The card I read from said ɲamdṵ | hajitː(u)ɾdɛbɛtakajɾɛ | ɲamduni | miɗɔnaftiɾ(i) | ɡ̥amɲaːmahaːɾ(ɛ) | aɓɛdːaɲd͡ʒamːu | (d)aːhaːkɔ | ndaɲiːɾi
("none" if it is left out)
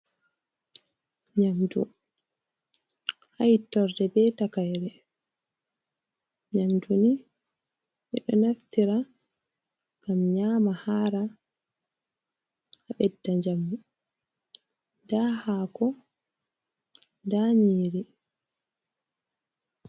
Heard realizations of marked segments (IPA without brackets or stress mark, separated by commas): ɔ, a, a, d